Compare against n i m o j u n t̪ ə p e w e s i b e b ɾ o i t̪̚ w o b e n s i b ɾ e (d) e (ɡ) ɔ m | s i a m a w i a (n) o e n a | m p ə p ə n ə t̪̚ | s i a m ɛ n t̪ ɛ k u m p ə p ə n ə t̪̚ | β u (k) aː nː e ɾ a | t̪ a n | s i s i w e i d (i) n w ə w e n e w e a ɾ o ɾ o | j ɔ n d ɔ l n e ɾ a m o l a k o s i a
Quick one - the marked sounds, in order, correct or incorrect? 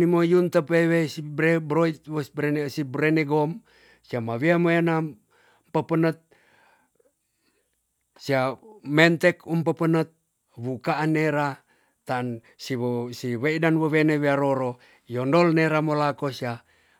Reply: incorrect: n, correct, incorrect: m, correct, incorrect: a

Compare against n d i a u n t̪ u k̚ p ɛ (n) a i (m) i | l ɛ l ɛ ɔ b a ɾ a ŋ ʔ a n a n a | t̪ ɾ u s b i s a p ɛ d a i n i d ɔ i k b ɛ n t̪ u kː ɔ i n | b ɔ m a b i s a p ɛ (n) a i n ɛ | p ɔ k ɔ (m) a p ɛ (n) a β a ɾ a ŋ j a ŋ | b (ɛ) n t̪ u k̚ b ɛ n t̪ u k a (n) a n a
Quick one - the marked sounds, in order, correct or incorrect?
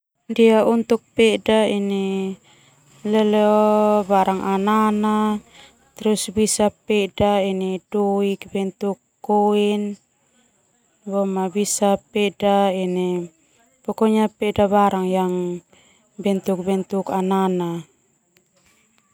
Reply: incorrect: d, incorrect: n, incorrect: d, incorrect: ɲ, incorrect: d, correct, correct

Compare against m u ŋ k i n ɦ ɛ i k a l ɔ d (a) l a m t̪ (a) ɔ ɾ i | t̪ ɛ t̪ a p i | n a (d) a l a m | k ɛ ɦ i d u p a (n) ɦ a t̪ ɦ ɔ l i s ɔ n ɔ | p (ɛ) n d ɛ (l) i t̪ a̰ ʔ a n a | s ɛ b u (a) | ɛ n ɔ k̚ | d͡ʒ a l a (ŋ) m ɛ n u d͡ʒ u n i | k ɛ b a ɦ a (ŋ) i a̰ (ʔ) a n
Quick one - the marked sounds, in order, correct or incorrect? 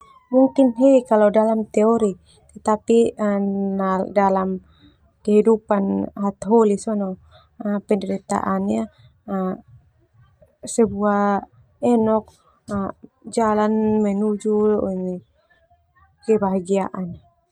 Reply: correct, incorrect: ɛ, correct, correct, correct, incorrect: ɾ, correct, incorrect: n, incorrect: ɡ, correct

